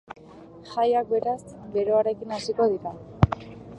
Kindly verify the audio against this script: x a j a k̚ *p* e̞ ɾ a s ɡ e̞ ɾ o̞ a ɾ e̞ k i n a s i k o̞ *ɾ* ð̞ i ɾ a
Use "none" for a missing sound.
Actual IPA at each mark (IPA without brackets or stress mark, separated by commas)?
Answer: b, none